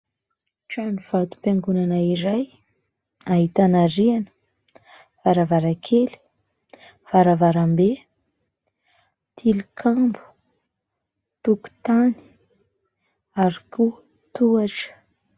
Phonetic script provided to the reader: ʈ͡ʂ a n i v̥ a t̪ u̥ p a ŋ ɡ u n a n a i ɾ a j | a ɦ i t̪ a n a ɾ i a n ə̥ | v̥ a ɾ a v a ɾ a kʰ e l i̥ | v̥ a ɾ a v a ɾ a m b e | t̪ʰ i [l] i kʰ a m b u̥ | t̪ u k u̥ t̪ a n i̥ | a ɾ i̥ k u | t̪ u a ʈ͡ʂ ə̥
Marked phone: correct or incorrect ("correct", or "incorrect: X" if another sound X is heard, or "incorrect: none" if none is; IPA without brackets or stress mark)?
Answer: correct